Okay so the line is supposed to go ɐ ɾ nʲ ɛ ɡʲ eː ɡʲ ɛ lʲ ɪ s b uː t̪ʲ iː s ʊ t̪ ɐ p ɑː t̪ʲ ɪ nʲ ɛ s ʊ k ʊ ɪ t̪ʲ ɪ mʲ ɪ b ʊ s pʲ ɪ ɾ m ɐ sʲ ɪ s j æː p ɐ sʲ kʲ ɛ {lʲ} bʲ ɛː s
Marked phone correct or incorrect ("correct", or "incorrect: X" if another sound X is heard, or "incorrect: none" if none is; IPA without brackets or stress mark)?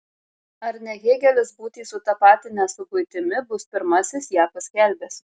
correct